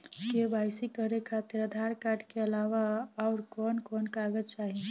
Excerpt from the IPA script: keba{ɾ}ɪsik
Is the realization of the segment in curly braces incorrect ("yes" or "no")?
yes